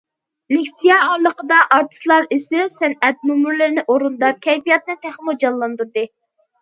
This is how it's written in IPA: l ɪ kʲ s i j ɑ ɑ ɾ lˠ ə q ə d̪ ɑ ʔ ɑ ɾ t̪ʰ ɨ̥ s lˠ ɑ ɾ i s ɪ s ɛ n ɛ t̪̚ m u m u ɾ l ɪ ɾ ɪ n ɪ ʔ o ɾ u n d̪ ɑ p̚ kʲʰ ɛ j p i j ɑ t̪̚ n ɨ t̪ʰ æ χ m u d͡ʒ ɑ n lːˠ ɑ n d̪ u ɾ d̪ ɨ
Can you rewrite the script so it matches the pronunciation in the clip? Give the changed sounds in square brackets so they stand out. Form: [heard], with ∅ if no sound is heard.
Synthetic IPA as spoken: l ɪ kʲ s i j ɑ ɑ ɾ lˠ ə q ə d̪ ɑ ʔ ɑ ɾ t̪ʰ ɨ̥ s lˠ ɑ ɾ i s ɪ s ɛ n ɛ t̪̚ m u m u ɾ l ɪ ɾ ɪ n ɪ ʔ o ɾ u n d̪ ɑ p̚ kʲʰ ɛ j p i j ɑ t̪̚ n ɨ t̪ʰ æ χ m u d͡ʒ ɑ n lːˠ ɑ n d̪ u ɾ d̪ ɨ